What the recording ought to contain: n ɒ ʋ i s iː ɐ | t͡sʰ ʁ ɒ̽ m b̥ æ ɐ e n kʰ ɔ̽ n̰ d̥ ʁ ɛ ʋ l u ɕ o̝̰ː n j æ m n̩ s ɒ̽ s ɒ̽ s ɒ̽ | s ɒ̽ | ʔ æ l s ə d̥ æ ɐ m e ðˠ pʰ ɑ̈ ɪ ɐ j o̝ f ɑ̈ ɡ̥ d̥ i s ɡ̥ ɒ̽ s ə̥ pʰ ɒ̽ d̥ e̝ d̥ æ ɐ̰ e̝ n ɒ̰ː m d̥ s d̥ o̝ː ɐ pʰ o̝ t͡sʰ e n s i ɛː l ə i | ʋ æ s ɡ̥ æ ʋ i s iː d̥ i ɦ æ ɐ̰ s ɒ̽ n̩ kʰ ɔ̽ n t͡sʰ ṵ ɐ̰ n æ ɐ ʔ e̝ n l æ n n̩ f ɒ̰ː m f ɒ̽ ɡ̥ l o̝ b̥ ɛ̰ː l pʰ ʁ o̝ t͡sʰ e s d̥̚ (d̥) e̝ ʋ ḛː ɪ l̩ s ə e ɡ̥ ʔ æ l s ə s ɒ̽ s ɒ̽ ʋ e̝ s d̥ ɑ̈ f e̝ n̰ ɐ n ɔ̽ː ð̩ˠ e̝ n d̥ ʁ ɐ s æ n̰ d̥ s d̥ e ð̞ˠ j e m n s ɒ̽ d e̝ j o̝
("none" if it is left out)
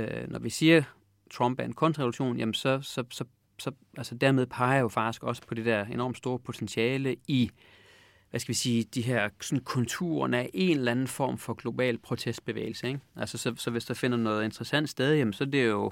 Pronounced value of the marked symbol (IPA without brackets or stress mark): b̥